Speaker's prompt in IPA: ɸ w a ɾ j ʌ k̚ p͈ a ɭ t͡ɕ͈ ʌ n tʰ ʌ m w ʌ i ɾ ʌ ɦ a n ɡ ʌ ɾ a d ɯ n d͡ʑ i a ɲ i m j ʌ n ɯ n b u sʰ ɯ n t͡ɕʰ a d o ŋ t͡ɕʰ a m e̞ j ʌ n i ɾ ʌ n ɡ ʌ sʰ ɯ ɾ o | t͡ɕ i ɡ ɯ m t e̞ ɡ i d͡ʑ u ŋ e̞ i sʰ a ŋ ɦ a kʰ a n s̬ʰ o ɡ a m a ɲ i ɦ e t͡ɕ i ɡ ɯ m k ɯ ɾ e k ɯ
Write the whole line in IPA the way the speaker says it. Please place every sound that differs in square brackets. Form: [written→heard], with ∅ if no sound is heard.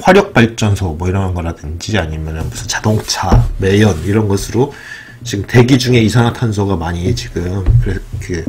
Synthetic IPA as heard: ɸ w a ɾ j ʌ k̚ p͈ a ɭ t͡ɕ͈ ʌ n [tʰ→sʰ] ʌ m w ʌ i ɾ ʌ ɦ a n ɡ ʌ ɾ a d ɯ n d͡ʑ i a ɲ i m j ʌ n ɯ n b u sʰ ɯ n [t͡ɕʰ→t͡ɕ] a d o ŋ t͡ɕʰ a m e̞ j ʌ n i ɾ ʌ n ɡ ʌ sʰ ɯ ɾ o | t͡ɕ i ɡ ɯ m t e̞ ɡ i d͡ʑ u ŋ e̞ i sʰ a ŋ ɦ a [kʰ→tʰ] a n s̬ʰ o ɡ a m a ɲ i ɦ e t͡ɕ i ɡ ɯ m k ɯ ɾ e k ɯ

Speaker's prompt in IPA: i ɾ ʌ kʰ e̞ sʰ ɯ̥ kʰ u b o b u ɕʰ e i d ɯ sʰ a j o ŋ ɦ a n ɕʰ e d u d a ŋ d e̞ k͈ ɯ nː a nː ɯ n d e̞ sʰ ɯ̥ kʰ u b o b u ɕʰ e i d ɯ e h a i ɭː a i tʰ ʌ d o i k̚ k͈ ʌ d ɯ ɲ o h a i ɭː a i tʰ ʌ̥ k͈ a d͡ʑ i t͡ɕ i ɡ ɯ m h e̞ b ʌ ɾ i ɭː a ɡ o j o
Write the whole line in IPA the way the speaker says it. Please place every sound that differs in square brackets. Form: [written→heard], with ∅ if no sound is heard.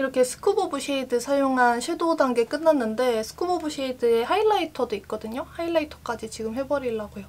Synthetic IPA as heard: i ɾ ʌ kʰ e̞ sʰ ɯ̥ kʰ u b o b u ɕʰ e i d ɯ sʰ a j o ŋ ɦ a n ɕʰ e d [u→o] d a ŋ [d→ɡ] e̞ k͈ ɯ nː a nː ɯ n d e̞ sʰ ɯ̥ kʰ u b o b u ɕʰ e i d ɯ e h a i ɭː a i tʰ ʌ d o i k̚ k͈ ʌ d ɯ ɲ o h a i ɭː a i tʰ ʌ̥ k͈ a d͡ʑ i t͡ɕ i ɡ ɯ m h e̞ b ʌ ɾ i ɭː a ɡ o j o

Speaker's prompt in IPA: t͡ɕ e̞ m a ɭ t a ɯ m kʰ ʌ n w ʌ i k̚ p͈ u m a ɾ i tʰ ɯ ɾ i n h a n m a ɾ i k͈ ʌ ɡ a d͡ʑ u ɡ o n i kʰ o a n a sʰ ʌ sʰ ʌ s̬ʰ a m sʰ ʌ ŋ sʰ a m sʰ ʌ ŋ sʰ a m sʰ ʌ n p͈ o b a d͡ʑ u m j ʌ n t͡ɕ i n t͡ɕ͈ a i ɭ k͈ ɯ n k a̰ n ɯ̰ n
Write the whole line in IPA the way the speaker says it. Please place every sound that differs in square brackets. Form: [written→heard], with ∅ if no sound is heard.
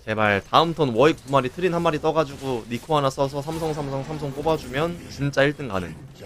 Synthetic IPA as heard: t͡ɕ e̞ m a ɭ t a ɯ m [kʰ→tʰ] ʌ n w ʌ i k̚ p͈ u m a ɾ i tʰ ɯ ɾ i n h a n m a ɾ i [k͈→t͈] ʌ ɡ a d͡ʑ u ɡ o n i kʰ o a n a sʰ ʌ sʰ ʌ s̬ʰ a m sʰ ʌ ŋ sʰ a m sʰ ʌ ŋ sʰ a m sʰ ʌ [n→ŋ] p͈ o b a d͡ʑ u m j ʌ n t͡ɕ i n t͡ɕ͈ a i ɭ [k͈→t͈] ɯ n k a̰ n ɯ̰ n

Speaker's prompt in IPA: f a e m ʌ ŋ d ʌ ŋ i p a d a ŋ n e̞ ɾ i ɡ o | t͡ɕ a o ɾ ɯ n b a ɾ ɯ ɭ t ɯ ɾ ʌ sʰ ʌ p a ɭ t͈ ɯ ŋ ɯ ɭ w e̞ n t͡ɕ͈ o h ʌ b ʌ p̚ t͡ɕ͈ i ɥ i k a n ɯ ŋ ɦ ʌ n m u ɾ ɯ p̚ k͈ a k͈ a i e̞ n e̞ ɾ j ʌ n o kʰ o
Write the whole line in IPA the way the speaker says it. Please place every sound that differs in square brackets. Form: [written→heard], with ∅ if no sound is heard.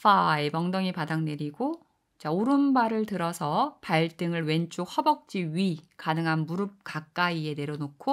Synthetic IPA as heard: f a e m ʌ ŋ d ʌ ŋ i p a d a ŋ n e̞ ɾ i ɡ o | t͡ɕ a o ɾ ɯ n b a ɾ ɯ ɭ t ɯ ɾ ʌ sʰ ʌ p a ɭ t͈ ɯ ŋ ɯ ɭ w e̞ n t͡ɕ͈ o h ʌ b ʌ [p̚→k̚] t͡ɕ͈ i ɥ i k a n ɯ ŋ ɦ [ʌ→a] n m u ɾ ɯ p̚ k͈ a k͈ a i e̞ n e̞ ɾ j ʌ n o kʰ o

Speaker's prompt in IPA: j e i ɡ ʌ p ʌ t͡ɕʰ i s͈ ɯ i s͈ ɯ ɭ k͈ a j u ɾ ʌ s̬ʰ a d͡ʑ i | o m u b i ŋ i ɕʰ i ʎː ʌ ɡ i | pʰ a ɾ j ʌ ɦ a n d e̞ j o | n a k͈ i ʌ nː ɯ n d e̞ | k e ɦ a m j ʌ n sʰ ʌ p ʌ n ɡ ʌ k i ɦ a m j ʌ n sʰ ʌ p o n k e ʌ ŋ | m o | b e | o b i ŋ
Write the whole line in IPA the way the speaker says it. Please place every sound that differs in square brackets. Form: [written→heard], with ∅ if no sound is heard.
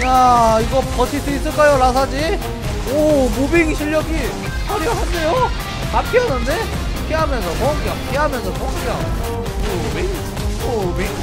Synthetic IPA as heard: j [e→a] i ɡ ʌ p ʌ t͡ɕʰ i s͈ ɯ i s͈ ɯ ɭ k͈ a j [u→o] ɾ [ʌ→a] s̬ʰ a d͡ʑ i | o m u b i ŋ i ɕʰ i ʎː ʌ ɡ i | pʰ a ɾ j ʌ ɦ a n d e̞ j o | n a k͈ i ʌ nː ɯ n d e̞ | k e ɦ a m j ʌ n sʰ ʌ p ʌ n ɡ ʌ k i ɦ a m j ʌ n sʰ ʌ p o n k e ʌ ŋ | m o | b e | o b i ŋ

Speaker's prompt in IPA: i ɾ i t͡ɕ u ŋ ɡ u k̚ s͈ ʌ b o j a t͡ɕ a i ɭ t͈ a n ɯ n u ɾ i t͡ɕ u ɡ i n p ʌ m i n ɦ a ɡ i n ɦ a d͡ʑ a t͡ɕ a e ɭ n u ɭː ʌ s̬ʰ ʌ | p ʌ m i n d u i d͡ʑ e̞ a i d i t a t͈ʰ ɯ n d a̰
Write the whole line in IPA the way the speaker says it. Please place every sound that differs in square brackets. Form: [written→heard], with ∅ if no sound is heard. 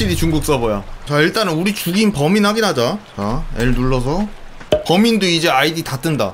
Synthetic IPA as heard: i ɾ i t͡ɕ u ŋ ɡ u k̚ s͈ ʌ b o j a t͡ɕ a i ɭ t͈ a n ɯ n u ɾ i t͡ɕ u ɡ i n p ʌ m i n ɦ a ɡ i n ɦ a d͡ʑ a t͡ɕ a e ɭ n u ɭː ʌ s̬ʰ ʌ | p ʌ m i n d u i d͡ʑ e̞ a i d i t a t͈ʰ ɯ n d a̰

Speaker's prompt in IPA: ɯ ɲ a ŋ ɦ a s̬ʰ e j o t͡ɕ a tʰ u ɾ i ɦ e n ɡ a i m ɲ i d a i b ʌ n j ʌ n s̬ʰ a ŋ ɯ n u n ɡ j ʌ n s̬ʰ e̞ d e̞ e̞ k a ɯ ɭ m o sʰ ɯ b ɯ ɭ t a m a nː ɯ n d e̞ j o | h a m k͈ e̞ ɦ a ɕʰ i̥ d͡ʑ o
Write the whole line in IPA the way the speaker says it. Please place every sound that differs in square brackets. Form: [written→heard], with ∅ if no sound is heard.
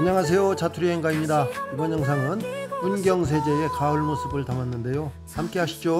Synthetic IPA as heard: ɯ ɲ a ŋ ɦ a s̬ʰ e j o t͡ɕ a tʰ u ɾ i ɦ e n ɡ a i m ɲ i d a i b ʌ n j ʌ [n→ŋ] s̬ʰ a ŋ ɯ n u n ɡ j ʌ [n→ŋ] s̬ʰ e̞ [d→d͡ʑ] e̞ e̞ k a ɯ ɭ m o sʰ ɯ b ɯ ɭ t a m a nː ɯ n d e̞ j o | h a m k͈ e̞ ɦ a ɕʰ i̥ d͡ʑ o

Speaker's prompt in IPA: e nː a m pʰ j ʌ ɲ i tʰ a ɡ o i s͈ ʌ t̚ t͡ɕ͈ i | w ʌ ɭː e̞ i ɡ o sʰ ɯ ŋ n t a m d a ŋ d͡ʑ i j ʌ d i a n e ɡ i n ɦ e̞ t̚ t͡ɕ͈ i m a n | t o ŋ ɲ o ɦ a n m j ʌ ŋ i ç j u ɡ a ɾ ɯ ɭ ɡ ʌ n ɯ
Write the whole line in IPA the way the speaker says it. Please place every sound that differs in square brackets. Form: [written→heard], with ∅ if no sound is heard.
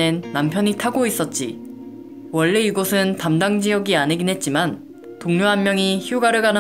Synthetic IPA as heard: e nː a m pʰ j ʌ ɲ i tʰ a ɡ o i s͈ ʌ t̚ t͡ɕ͈ i | w ʌ ɭː e̞ i ɡ o sʰ ɯ [ŋ→∅] n t a m d a ŋ d͡ʑ i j ʌ [d→ɡ] i a n e ɡ i n ɦ e̞ t̚ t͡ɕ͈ i m a n | t o ŋ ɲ o ɦ a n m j ʌ ŋ i ç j u ɡ a ɾ ɯ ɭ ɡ [ʌ→a] n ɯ

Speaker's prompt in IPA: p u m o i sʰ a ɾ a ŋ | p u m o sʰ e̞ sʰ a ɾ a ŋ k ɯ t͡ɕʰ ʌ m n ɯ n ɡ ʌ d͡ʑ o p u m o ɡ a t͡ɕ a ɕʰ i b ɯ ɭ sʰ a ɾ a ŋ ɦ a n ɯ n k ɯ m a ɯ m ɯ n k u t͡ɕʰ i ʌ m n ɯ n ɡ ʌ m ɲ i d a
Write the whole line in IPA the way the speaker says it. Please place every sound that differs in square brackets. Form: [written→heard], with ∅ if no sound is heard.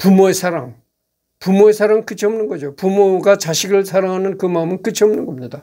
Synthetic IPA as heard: p u m o [i→e] sʰ a ɾ a ŋ | p u m o [sʰ→∅] e̞ sʰ a ɾ a ŋ k ɯ t͡ɕʰ ʌ m n ɯ n ɡ ʌ d͡ʑ o p u m o ɡ a t͡ɕ a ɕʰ i [b→ɡ] ɯ ɭ sʰ a ɾ a ŋ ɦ a n ɯ n k ɯ m a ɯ m ɯ n k [u→ɯ] t͡ɕʰ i ʌ m n ɯ n ɡ ʌ m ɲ i d a

